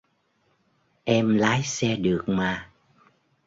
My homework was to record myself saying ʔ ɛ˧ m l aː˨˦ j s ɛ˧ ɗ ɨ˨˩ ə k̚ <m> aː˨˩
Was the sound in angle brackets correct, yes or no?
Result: yes